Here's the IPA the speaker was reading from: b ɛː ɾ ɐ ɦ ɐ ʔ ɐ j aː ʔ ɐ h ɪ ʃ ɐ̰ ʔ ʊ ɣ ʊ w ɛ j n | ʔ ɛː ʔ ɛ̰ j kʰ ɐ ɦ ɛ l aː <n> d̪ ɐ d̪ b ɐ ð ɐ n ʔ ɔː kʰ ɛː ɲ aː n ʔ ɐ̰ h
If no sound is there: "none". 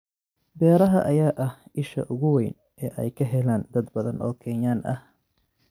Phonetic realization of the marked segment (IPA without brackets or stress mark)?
n